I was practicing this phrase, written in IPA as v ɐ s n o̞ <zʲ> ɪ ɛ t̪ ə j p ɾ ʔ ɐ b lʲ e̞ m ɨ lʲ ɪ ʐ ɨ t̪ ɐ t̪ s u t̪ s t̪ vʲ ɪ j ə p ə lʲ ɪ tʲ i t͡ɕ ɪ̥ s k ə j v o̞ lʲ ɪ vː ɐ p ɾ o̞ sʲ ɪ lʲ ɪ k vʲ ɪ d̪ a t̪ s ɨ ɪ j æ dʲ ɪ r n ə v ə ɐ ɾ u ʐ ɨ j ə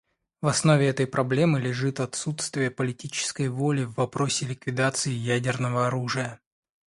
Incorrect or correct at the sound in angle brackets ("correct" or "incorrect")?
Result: incorrect